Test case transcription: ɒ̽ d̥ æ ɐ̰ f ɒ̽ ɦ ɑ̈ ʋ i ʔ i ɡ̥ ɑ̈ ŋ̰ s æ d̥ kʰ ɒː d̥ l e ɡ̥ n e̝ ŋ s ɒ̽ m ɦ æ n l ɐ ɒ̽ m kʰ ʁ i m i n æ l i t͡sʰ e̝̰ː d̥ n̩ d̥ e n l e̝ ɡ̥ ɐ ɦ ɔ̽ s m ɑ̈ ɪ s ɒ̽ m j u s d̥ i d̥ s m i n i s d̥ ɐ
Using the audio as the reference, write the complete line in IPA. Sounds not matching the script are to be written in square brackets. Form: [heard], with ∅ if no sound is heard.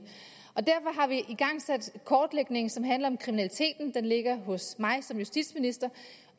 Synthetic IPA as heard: ɒ̽ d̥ æ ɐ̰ f ɒ̽ ɦ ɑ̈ ʋ i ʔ i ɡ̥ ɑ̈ ŋ̰ s æ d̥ kʰ ɒː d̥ l e ɡ̥ n e̝ ŋ s ɒ̽ m ɦ æ n l ɐ ɒ̽ m kʰ ʁ i m i n æ l i t͡sʰ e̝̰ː d̥ n̩ d̥ e n l e̝ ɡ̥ ɐ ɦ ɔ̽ s m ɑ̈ ɪ s ɒ̽ m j u s d̥ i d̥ s m i n i s d̥ ɐ